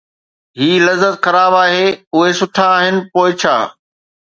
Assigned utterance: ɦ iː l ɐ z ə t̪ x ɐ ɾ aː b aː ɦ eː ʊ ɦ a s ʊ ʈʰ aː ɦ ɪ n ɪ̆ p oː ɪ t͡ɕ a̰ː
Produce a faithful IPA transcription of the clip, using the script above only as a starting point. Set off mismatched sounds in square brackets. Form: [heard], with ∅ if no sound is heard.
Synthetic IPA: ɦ iː l ɐ z ə t̪ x ɐ ɾ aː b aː ɦ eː ʊ ɦ [e] s ʊ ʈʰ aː ɦ ɪ n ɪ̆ p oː ɪ [t͡ɕʰ] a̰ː

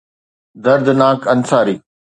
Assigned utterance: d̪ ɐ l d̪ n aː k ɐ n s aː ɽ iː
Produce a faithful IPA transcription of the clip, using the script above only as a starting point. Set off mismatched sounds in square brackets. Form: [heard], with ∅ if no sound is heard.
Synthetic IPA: d̪ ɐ [ɾ] d̪ n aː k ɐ n s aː [ɾ] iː

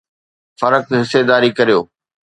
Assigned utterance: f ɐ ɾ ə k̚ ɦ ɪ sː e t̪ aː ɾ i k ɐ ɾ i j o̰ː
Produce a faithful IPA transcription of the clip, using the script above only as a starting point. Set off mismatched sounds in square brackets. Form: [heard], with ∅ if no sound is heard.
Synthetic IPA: f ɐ ɾ ə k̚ ɦ ɪ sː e [d̪] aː ɾ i k ɐ ɾ i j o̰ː

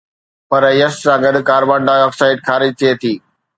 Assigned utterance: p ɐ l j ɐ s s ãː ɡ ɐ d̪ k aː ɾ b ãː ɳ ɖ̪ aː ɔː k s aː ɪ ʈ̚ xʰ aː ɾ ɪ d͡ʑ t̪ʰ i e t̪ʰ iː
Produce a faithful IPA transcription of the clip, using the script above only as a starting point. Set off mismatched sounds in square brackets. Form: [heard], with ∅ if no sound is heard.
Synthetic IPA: p ɐ [ɾ] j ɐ s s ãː ɡ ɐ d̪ k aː ɾ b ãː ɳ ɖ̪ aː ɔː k s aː ɪ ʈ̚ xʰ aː ɾ ɪ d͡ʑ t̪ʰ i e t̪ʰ iː

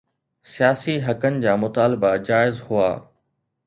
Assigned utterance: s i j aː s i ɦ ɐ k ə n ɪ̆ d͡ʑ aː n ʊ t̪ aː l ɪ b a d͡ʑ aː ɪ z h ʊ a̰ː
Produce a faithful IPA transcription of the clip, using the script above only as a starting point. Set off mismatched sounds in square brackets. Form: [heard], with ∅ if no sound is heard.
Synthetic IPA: s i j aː s i ɦ ɐ k ə n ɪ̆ d͡ʑ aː [m] ʊ t̪ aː l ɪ b a d͡ʑ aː ɪ z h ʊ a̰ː

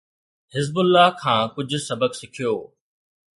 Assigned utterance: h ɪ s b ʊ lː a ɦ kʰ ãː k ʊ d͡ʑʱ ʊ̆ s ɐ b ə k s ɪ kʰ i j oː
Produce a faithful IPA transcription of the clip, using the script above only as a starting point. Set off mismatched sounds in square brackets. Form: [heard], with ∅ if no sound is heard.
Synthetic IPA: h ɪ [z] b ʊ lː a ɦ kʰ ãː k ʊ d͡ʑʱ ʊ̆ s ɐ b ə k s ɪ kʰ i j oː

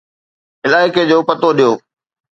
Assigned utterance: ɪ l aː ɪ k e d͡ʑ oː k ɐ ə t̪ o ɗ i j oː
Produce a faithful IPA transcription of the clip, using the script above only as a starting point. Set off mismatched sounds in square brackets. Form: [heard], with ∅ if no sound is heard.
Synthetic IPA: ɪ l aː ɪ k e d͡ʑ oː [p] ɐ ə t̪ o ɗ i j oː

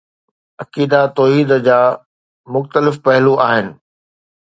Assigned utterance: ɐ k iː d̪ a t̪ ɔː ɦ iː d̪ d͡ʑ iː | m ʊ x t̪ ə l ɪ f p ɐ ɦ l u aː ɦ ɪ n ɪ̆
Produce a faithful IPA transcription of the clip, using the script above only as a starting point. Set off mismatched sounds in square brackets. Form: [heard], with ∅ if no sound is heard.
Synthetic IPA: ɐ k iː d̪ a t̪ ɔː ɦ iː d̪ d͡ʑ [aː] | m ʊ x t̪ ə l ɪ f p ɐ ɦ l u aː ɦ ɪ n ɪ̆

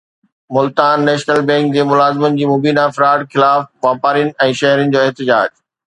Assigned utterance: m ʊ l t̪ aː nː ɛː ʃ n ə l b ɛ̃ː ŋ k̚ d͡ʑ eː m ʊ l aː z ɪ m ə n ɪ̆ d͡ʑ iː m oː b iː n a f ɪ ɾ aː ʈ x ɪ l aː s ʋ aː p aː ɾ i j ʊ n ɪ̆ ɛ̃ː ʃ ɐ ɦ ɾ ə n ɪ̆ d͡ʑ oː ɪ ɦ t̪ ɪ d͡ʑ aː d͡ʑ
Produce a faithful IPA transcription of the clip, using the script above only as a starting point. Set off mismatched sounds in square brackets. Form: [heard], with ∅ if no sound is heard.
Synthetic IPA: m ʊ l t̪ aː nː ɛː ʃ n ə l b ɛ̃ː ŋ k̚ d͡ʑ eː m ʊ l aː z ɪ m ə n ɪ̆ d͡ʑ iː m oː b iː n a f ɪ ɾ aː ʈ x ɪ l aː [f] ʋ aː p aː ɾ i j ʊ n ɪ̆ ɛ̃ː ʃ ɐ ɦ ɾ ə n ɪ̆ d͡ʑ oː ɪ ɦ t̪ ɪ d͡ʑ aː d͡ʑ

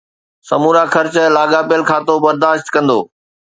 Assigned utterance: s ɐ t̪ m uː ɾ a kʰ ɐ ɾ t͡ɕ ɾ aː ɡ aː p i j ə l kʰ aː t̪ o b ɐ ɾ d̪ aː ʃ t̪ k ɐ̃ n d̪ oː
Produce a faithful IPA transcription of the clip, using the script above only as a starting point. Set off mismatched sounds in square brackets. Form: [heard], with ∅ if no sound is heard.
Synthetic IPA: s ɐ [∅] m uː ɾ a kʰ ɐ ɾ t͡ɕ [l] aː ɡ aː p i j ə l kʰ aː t̪ o b ɐ ɾ d̪ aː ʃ t̪ k ɐ̃ n d̪ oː

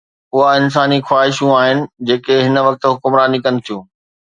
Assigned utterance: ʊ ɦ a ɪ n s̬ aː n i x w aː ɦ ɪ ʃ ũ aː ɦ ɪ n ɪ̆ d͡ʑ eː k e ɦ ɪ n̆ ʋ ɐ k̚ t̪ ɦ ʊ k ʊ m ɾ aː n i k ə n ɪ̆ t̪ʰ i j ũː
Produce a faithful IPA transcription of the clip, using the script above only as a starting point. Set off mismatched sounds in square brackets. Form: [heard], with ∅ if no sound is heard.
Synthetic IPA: ʊ ɦ a ɪ n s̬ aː n i x w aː ɦ ɪ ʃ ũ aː ɦ ɪ n ɪ̆ d͡ʑ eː k e ɦ ɪ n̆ ʋ ɐ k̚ t̪ ɦ ʊ k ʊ m ɾ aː n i k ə n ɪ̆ t̪ʰ i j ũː

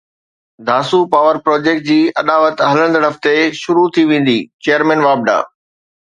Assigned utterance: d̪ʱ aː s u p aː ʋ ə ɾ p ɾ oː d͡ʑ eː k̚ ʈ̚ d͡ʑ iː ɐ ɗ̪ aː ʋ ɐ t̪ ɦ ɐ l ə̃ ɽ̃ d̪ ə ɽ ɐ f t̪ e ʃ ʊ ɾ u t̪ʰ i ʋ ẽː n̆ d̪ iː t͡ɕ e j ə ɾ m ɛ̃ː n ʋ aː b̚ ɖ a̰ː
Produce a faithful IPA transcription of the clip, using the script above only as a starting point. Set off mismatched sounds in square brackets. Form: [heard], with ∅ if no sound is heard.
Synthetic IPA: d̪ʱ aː s u p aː ʋ ə ɾ p ɾ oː d͡ʑ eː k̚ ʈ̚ d͡ʑ iː ɐ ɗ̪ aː ʋ [ə] t̪ ɦ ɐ l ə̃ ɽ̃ d̪ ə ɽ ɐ f t̪ e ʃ ʊ ɾ u t̪ʰ i ʋ ẽː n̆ d̪ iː t͡ɕ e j ə ɾ m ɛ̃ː n ʋ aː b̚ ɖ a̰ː

